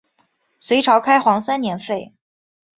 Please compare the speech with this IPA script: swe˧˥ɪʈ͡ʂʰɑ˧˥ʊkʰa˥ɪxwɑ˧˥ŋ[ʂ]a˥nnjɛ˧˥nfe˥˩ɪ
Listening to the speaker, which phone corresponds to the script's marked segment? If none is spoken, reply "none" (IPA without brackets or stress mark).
s